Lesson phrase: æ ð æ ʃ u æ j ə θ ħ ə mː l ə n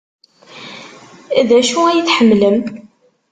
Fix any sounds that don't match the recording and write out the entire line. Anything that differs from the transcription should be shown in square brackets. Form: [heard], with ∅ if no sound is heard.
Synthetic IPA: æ ð æ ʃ u æ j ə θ ħ ə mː l ə [m]